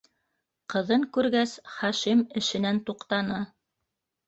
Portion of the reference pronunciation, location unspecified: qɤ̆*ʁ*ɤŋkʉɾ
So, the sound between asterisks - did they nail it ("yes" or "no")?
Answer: no